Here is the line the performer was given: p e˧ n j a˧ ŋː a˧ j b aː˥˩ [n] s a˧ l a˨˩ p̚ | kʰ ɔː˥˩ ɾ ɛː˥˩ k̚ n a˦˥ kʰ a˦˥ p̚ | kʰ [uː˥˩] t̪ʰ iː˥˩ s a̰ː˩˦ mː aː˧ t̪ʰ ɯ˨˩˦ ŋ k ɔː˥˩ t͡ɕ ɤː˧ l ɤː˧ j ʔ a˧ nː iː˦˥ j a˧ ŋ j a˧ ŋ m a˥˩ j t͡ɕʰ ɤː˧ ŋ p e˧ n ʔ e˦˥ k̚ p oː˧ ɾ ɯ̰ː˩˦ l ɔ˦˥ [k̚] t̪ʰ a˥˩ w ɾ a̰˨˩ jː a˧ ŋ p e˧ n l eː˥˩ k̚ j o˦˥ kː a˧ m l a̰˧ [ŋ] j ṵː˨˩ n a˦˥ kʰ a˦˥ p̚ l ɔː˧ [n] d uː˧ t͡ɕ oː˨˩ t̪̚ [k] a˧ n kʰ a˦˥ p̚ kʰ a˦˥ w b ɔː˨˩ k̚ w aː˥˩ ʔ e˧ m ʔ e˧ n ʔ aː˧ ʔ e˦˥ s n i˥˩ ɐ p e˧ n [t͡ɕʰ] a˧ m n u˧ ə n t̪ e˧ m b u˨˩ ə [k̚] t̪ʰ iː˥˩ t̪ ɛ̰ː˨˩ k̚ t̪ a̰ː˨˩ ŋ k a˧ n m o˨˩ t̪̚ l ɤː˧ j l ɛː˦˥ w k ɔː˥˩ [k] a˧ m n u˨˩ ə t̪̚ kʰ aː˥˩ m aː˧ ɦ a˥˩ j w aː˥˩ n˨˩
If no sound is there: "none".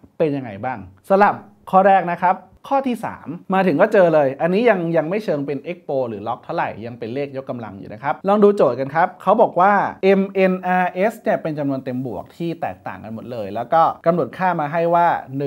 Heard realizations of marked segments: ŋ, ɔː˥˩, k̚, ŋ, ŋ, k, t͡ɕ, k̚, k

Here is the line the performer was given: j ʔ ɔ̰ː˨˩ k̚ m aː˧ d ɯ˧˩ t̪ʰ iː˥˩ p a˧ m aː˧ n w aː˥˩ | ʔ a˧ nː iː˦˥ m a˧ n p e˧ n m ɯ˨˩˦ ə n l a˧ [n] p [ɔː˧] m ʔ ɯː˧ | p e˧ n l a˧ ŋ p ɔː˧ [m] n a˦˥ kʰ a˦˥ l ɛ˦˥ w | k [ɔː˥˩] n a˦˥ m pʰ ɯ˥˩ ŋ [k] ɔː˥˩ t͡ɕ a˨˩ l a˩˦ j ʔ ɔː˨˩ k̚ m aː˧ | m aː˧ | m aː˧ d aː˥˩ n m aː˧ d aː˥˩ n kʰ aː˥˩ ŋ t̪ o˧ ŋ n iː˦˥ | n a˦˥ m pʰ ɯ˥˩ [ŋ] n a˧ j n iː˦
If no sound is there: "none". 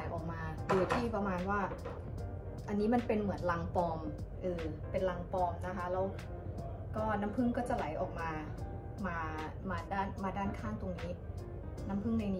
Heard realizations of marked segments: ŋ, ɔː˧, m, ɔː˥˩, k, ŋ

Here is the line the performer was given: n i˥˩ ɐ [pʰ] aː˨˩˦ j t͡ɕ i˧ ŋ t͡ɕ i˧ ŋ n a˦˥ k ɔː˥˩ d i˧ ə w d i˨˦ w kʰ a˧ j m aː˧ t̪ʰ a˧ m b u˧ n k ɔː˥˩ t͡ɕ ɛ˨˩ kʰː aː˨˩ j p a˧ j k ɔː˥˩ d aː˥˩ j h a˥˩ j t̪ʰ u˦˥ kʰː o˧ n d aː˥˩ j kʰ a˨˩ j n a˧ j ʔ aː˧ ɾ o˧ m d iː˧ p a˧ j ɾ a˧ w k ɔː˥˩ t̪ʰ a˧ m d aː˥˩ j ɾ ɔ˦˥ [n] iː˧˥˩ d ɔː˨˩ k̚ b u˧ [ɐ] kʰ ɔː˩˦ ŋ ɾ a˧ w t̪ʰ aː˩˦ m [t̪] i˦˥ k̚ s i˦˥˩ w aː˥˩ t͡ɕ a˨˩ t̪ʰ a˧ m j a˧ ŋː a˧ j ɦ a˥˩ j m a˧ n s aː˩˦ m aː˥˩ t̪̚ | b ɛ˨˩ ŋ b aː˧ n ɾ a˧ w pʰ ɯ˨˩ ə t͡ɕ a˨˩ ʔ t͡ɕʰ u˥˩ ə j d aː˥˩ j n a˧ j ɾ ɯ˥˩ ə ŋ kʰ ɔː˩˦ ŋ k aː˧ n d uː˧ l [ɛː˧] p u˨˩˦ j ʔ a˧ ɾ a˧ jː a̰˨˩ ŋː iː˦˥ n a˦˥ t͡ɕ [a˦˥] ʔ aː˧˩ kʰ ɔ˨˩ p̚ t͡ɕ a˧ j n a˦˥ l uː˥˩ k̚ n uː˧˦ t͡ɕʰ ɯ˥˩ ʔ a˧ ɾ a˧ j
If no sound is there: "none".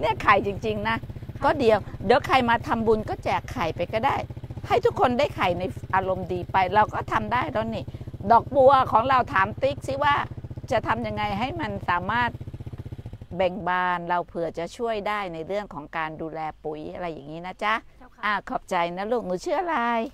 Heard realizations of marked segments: kʰ, n, ɐ, t̪, ɛː˧, a˦˥

